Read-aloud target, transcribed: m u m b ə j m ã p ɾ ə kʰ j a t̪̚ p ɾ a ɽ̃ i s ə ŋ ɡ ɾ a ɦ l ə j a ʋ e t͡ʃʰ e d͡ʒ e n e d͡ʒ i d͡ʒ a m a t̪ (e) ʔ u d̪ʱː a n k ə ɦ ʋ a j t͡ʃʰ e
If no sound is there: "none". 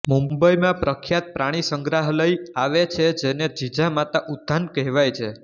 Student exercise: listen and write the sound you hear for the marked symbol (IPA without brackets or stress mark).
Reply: a